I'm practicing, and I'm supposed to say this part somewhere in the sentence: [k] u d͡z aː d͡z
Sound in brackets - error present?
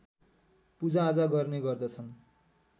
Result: yes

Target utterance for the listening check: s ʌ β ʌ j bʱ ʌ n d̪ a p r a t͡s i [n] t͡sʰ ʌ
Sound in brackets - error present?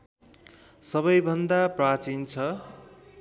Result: no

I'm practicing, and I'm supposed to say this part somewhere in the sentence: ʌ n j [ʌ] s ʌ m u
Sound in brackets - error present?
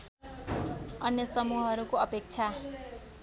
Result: no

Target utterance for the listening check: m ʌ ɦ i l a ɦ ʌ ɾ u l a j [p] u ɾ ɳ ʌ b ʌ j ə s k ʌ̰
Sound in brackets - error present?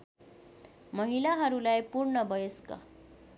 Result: no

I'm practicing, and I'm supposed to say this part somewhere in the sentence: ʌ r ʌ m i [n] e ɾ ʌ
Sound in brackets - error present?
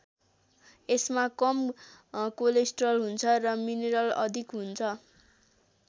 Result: no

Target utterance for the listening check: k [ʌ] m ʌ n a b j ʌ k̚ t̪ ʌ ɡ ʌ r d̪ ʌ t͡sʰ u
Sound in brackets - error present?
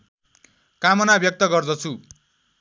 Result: yes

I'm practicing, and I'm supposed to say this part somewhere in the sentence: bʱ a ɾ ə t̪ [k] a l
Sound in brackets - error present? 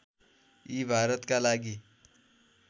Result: no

